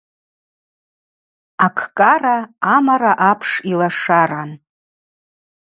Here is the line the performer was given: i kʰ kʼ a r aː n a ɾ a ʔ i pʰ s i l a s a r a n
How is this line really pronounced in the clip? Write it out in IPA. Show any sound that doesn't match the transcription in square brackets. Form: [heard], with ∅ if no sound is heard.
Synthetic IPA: [a] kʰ kʼ a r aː [m] a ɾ a ʔ [a] pʰ [ʂ] i l a [ʂ] a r a n